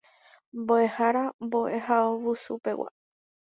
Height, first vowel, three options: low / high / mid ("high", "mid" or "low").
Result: mid